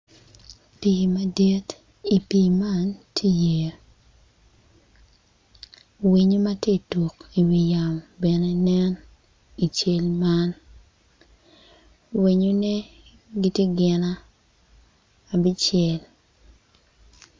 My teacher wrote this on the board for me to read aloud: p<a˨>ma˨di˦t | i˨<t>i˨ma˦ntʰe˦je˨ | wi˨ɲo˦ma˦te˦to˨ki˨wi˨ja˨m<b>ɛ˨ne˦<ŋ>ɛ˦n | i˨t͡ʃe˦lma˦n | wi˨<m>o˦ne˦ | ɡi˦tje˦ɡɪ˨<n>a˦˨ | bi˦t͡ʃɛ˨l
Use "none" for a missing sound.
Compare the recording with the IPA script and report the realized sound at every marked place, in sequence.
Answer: i˨, p, b, n, ɲ, n

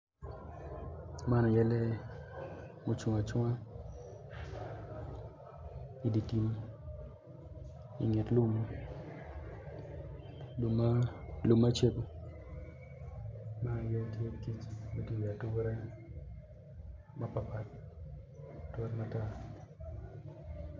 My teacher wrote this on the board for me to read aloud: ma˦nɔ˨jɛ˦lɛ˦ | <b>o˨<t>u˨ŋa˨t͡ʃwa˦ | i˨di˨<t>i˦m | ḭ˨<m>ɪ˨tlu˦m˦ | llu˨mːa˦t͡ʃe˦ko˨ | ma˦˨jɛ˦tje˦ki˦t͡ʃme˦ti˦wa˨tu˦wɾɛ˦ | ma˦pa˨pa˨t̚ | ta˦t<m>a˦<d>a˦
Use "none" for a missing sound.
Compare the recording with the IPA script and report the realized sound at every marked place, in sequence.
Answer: m, t͡ʃ, t, ŋ, m, t

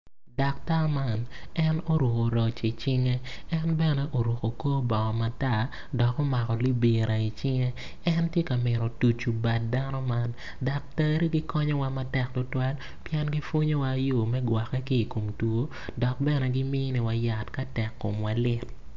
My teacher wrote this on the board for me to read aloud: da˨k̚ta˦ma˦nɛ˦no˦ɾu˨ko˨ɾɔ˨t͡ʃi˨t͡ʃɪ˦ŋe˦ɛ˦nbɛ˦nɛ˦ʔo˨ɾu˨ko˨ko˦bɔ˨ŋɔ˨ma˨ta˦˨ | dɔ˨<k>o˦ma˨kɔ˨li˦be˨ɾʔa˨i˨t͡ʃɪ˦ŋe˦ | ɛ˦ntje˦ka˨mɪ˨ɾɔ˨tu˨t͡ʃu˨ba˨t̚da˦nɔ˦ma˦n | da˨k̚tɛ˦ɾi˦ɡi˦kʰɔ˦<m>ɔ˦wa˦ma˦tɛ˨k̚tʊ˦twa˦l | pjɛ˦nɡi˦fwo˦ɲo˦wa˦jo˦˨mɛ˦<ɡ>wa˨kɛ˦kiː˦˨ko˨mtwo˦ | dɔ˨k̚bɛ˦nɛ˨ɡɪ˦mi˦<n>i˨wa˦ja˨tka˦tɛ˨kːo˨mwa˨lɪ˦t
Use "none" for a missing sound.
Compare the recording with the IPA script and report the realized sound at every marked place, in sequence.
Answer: k, ɲ, ɡ, n

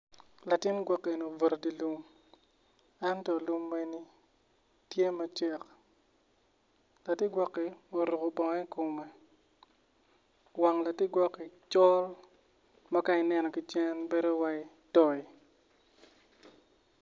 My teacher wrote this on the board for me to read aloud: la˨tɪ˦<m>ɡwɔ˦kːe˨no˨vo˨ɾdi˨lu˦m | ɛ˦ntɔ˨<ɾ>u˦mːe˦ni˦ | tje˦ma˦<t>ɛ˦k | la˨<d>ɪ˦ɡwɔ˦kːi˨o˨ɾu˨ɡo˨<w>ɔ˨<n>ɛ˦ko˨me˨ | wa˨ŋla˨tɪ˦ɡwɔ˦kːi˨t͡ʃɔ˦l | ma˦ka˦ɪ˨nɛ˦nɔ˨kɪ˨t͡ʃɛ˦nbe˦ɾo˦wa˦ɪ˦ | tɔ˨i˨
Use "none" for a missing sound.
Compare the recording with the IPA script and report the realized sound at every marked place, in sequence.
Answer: n, l, t͡ʃ, t, b, ŋ

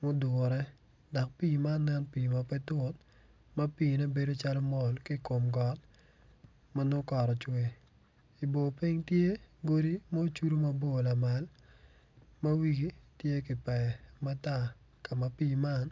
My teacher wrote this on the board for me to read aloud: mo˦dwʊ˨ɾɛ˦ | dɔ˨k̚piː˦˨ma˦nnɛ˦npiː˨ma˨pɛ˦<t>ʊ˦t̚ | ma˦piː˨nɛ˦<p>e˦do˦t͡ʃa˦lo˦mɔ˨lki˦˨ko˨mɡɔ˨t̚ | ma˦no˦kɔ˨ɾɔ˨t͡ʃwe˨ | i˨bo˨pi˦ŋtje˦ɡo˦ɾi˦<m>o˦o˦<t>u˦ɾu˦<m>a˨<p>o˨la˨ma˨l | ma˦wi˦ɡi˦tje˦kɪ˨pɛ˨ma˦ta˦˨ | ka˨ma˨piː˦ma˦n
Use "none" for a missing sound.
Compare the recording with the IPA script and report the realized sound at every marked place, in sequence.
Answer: t, b, m, t͡ʃ, m, b

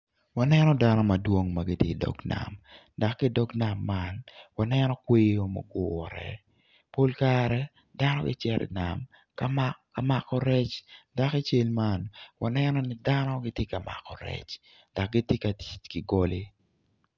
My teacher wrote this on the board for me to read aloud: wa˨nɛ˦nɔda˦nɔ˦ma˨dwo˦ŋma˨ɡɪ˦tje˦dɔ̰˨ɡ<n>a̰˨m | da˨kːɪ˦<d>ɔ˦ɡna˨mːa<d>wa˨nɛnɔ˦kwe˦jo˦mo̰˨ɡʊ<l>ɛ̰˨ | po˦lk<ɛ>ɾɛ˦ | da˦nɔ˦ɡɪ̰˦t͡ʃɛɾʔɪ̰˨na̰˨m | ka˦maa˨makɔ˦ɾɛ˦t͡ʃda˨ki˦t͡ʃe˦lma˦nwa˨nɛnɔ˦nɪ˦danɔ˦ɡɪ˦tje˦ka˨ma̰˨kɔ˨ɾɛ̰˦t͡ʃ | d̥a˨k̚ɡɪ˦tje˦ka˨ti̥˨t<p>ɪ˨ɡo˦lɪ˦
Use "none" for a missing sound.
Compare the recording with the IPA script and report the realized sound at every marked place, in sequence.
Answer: n, d, n, ɾ, a, k

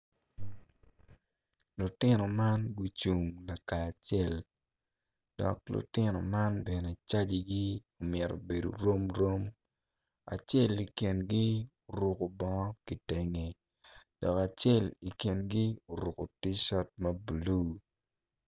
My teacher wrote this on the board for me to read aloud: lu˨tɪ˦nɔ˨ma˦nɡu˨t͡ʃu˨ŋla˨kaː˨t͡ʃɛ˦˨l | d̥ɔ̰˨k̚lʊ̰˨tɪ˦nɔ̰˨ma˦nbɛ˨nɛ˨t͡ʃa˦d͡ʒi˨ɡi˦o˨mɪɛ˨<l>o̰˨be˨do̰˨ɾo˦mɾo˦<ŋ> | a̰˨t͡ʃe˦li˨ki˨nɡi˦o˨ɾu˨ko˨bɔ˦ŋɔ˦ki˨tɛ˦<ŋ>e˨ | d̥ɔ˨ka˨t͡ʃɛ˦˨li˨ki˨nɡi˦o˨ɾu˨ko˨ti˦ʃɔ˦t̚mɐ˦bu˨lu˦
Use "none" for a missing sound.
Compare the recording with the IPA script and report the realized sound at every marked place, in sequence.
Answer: ɾ, m, ŋ

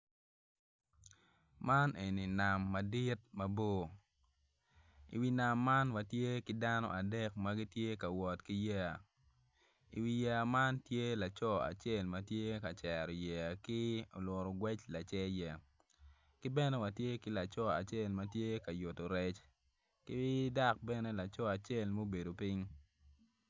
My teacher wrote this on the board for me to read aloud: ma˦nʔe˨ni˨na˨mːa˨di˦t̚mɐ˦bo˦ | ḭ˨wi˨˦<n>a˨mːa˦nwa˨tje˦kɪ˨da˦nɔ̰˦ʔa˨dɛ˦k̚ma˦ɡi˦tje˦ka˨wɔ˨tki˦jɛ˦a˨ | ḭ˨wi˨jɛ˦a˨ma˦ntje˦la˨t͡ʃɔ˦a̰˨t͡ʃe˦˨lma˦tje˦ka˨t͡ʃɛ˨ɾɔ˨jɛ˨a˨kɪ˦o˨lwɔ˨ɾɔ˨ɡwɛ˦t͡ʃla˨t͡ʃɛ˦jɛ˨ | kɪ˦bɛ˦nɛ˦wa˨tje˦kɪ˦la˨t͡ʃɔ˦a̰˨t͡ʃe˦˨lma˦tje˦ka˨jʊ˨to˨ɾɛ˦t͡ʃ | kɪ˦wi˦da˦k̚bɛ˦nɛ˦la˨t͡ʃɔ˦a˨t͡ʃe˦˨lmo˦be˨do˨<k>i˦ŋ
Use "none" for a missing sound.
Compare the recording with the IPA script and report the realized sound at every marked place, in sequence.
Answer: n, p

